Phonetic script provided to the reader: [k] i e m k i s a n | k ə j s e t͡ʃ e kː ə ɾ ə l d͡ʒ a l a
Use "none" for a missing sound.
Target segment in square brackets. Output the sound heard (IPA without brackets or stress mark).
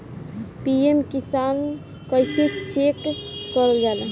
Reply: p